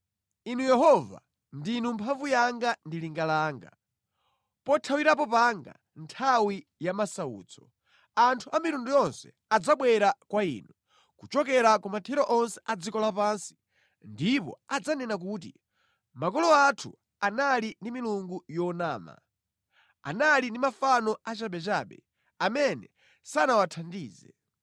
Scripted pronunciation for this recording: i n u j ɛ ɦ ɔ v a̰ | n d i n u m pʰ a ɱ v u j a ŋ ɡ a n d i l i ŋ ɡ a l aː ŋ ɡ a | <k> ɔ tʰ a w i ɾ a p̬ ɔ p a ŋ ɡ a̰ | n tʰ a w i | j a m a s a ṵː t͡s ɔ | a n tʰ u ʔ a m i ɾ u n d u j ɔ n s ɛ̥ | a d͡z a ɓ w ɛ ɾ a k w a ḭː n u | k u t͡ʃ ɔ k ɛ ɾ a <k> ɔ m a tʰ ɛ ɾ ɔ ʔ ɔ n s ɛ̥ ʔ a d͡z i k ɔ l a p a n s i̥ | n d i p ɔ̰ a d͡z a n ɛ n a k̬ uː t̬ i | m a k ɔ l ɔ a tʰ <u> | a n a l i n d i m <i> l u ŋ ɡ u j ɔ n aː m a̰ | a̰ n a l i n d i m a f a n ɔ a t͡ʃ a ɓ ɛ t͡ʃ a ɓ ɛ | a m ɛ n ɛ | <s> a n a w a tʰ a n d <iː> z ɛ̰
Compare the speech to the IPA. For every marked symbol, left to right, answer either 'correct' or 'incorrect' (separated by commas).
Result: incorrect, correct, correct, correct, correct, correct